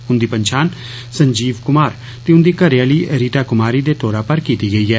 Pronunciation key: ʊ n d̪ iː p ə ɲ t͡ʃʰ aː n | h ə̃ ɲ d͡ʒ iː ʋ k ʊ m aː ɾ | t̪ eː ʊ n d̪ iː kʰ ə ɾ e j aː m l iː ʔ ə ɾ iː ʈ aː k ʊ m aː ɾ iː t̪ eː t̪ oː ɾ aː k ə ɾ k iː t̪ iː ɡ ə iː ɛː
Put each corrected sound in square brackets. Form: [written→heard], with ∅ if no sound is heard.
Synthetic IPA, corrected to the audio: ʊ n d̪ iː p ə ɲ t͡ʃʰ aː n | [h→s] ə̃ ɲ d͡ʒ iː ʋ k ʊ m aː ɾ | t̪ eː ʊ n d̪ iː [kʰ→k] ə ɾ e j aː [m→∅] l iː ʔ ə ɾ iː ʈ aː k ʊ m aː ɾ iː [t̪→d̪] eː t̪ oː ɾ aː [k→p] ə ɾ k iː t̪ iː ɡ ə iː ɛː

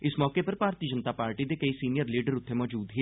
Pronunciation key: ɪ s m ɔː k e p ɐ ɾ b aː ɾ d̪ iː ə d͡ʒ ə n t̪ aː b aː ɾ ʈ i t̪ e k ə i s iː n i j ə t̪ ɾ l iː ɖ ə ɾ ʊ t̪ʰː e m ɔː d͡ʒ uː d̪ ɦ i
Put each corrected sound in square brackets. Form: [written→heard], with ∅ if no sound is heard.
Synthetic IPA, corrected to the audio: ɪ s m ɔː k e p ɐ ɾ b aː ɾ [d̪→t̪] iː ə d͡ʒ ə n t̪ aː [b→p] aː ɾ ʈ i [t̪→d̪] e k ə i s iː n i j ə [t̪→∅] ɾ l iː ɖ ə ɾ ʊ t̪ʰː e m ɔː d͡ʒ uː d̪ ɦ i

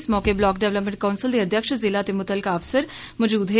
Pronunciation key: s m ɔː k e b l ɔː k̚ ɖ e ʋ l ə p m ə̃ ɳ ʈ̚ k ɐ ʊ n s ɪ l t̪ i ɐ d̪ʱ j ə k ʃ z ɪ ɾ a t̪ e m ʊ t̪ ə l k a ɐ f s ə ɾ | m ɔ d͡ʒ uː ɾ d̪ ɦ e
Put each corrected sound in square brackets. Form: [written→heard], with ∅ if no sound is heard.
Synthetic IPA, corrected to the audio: s m ɔː k e b l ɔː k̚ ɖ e ʋ l ə p m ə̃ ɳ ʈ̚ k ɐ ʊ n s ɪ l [t̪→d̪] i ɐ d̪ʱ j ə k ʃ z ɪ [ɾ→l] a t̪ e m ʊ t̪ ə l k a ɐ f s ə ɾ | m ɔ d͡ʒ uː [ɾ→∅] d̪ ɦ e

